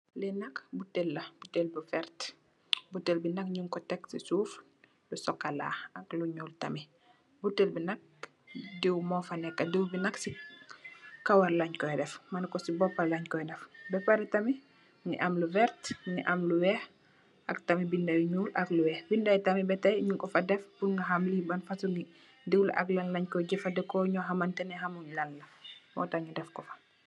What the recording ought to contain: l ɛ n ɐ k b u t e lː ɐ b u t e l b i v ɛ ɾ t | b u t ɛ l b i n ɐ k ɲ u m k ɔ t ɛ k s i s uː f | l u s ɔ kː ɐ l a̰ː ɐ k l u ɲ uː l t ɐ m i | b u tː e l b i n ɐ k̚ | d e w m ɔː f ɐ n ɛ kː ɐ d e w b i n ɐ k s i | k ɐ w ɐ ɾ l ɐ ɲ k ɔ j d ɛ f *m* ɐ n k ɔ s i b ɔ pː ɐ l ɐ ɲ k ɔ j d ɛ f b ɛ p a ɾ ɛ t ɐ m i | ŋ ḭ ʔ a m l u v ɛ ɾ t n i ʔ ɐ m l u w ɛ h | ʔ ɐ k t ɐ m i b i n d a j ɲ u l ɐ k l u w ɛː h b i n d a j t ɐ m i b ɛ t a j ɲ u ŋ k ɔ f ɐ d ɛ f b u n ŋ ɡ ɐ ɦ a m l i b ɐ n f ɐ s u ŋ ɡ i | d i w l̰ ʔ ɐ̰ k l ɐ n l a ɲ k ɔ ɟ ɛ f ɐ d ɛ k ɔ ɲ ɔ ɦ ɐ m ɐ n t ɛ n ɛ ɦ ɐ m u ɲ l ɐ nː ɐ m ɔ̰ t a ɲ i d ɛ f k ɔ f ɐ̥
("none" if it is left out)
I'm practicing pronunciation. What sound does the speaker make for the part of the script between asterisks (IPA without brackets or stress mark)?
m